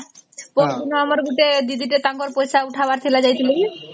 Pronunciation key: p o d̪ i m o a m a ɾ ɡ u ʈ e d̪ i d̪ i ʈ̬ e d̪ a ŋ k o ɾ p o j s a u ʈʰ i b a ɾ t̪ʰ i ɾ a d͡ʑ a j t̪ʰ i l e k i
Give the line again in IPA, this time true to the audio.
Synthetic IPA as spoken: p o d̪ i n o a m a ɾ ɡ u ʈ e d̪ i d̪ i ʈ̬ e t̪ a ŋ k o ɾ p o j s a u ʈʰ a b a ɾ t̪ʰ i l a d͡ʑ a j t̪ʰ i l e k i